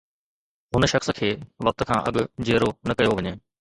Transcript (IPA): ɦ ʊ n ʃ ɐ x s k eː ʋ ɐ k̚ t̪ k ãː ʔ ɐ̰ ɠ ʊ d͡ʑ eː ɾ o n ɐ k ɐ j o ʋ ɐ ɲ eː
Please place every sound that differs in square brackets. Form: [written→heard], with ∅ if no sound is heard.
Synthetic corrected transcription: ɦ ʊ n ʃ ɐ x s [k→kʰ] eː ʋ ɐ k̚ t̪ [k→kʰ] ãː ʔ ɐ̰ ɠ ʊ d͡ʑ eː ɾ o n ɐ k ɐ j o ʋ ɐ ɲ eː